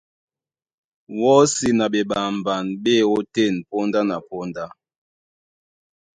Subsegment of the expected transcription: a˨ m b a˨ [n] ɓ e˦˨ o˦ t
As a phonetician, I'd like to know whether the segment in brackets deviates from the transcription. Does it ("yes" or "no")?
no